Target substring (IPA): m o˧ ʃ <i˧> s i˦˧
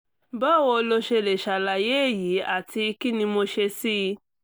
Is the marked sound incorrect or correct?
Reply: incorrect